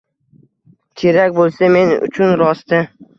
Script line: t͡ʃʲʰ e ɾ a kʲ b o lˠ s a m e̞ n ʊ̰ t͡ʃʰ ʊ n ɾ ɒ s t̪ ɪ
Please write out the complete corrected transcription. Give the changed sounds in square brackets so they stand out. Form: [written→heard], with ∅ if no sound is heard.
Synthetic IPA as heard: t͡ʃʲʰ e ɾ a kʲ b o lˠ s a m e̞ n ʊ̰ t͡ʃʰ ʊ n ɾ ɒ s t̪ ɪ